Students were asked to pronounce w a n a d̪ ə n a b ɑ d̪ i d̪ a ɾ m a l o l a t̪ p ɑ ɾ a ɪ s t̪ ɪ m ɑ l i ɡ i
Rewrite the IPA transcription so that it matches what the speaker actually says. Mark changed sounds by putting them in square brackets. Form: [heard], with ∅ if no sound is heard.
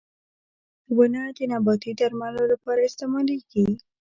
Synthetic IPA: w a n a d̪ ə n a b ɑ [t̪] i d̪ a ɾ m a l o l a [∅] p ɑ ɾ a ɪ s t̪ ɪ m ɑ l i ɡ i